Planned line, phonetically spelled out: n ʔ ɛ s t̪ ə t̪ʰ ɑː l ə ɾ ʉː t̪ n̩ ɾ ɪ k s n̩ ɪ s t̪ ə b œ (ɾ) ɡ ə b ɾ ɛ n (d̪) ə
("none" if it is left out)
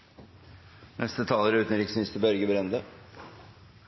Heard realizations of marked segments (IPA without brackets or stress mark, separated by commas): ɾ, d̪